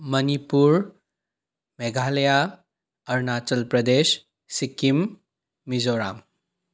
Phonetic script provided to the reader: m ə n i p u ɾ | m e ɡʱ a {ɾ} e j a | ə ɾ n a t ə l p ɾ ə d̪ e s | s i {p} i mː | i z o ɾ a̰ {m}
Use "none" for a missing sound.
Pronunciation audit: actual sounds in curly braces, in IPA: l, k, m

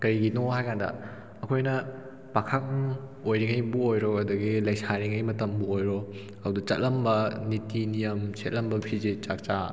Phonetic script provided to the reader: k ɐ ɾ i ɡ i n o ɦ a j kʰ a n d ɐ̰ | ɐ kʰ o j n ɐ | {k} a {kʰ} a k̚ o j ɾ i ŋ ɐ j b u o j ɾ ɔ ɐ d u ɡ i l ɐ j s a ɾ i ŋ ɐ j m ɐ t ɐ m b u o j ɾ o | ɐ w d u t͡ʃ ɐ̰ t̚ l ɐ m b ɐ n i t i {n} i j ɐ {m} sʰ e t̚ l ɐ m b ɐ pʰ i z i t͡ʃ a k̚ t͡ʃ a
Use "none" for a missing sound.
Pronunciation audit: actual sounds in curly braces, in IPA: p, kʰ, n, m

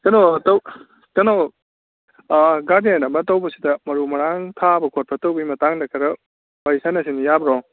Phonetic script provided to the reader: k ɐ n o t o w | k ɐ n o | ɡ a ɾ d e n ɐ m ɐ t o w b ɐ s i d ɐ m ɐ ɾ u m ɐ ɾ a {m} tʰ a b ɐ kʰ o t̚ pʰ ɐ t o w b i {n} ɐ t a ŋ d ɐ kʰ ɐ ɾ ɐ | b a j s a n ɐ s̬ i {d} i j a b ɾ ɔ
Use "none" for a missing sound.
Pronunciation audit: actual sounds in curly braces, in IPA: ŋ, m, n

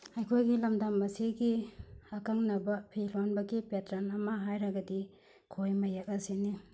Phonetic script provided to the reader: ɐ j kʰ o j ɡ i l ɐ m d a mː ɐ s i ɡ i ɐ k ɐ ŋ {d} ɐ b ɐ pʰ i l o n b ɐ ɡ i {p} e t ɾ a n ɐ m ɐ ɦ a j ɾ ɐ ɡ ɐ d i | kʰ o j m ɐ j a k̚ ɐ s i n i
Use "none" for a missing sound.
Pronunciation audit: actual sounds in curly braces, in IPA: n, p

